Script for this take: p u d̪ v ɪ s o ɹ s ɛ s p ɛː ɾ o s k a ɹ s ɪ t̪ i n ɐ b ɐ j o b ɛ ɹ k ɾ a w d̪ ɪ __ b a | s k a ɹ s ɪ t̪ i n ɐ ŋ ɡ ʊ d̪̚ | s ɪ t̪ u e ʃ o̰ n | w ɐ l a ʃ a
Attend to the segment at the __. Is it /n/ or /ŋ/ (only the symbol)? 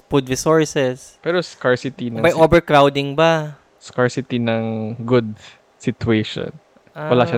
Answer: ŋ